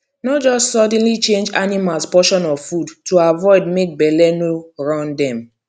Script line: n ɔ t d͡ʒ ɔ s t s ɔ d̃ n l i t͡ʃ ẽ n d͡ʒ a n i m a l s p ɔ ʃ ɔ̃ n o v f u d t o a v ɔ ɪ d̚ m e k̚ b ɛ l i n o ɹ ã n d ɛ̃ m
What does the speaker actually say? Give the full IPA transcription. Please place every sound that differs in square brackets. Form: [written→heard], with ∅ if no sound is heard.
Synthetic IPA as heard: n ɔ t d͡ʒ ɔ s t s ɔ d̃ n l i t͡ʃ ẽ n d͡ʒ a n i m a l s p ɔ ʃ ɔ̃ n [o→ɔ] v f u d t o a v ɔ ɪ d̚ m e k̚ b ɛ l [i→ɛ] n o ɹ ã n d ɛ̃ m